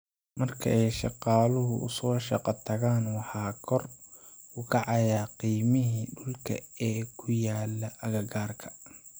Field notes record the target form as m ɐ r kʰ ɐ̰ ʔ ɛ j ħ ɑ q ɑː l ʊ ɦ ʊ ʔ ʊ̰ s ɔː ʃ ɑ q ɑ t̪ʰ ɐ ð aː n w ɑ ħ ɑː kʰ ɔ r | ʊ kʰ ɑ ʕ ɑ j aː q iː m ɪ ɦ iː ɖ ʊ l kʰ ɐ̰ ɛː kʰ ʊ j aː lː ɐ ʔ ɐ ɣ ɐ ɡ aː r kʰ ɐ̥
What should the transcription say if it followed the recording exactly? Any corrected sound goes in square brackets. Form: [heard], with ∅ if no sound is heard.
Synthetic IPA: m ɐ r kʰ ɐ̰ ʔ ɛ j [ʃ] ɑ q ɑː l ʊ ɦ ʊ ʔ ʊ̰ s ɔː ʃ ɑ q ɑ t̪ʰ ɐ [ɣ] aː n w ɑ ħ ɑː kʰ ɔ r | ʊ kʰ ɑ ʕ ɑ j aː q iː m ɪ ɦ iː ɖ ʊ l kʰ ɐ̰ ɛː kʰ ʊ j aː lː ɐ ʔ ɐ ɣ ɐ ɡ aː r kʰ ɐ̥